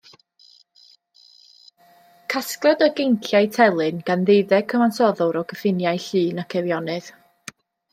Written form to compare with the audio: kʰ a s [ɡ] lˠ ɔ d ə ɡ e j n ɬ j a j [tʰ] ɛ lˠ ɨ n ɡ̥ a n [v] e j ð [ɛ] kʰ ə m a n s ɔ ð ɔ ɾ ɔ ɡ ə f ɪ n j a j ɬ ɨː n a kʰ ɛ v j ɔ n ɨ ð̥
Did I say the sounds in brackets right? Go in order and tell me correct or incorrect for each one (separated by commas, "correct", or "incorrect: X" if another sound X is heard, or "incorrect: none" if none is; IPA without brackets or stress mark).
incorrect: k, correct, incorrect: ð, correct